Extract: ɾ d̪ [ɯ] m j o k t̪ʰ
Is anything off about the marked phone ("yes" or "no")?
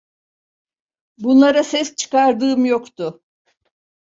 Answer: yes